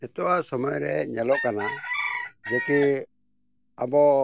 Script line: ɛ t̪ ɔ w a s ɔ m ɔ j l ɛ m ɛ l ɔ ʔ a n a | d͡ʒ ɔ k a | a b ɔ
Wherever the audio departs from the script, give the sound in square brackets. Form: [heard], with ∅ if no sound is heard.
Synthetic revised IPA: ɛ t̪ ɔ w a s ɔ m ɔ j [ɾ] ɛ [ɲ] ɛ l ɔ [k] a n a | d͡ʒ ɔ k [i] | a b ɔ